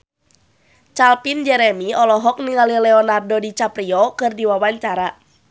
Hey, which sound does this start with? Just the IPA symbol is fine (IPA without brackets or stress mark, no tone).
t͡ʃ